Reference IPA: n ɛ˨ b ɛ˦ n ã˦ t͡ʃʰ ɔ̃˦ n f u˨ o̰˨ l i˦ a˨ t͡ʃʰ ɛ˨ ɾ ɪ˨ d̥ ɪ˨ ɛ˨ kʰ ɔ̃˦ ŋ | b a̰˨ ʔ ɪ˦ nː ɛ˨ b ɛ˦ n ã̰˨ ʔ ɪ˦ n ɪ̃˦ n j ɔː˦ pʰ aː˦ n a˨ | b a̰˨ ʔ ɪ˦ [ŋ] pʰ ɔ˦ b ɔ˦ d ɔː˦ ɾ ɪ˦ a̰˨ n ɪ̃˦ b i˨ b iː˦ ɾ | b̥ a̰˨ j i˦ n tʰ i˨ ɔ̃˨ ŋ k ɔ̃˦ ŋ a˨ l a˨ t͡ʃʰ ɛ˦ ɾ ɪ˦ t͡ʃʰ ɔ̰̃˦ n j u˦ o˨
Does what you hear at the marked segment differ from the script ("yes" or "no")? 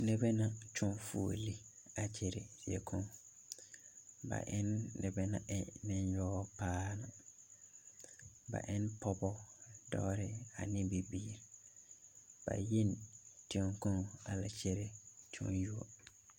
yes